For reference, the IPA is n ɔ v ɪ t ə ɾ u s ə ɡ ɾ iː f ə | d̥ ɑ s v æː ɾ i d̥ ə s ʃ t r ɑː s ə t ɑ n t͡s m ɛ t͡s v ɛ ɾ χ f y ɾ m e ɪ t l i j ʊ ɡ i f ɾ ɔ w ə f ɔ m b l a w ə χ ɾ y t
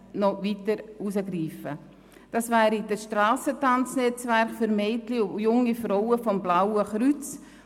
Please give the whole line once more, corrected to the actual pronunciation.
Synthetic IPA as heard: n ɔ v i t ə ɾ u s ə ɡ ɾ iː f ə | d̥ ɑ s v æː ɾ i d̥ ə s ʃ t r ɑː s ə t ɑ n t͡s n ɛ t͡s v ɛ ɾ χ f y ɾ m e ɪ t l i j ʊ ŋ i f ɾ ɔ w ə f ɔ m b l a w ə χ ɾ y t͡s